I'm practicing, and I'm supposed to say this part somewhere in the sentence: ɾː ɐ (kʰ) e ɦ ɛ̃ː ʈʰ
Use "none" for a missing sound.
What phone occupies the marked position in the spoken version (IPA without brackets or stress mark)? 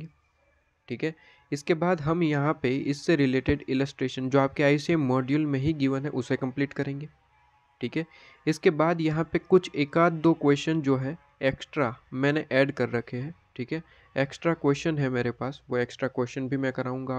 kʰ